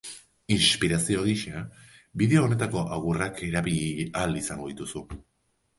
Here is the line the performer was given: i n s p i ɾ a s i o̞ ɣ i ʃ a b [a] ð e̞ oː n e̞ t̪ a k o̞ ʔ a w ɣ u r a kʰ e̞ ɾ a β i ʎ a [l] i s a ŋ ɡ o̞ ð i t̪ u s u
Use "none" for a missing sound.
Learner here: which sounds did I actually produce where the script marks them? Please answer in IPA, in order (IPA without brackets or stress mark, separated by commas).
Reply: i, l